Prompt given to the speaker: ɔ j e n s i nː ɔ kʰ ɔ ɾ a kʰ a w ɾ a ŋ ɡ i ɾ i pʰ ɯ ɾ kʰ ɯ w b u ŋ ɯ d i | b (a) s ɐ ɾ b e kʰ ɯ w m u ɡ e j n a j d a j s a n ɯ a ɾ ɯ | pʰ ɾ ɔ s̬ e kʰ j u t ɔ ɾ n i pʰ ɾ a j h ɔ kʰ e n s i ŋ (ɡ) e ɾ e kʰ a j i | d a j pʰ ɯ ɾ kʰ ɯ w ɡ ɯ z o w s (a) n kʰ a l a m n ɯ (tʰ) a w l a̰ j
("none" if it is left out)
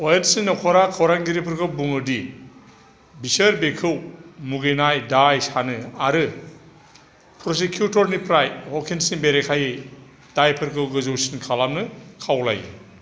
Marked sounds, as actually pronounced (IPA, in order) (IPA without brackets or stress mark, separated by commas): i, b, i, kʰ